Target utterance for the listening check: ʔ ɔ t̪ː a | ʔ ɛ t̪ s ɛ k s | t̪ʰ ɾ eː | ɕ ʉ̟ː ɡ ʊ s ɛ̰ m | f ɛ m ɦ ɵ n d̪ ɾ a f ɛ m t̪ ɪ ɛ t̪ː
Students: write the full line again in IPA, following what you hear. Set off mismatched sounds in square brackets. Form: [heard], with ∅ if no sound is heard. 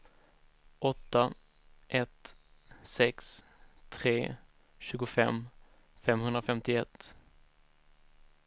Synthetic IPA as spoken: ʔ ɔ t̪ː a | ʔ ɛ t̪ s ɛ k s | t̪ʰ ɾ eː | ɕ ʉ̟ː ɡ ʊ [f] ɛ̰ m | f ɛ m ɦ ɵ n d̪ ɾ a f ɛ m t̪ ɪ ɛ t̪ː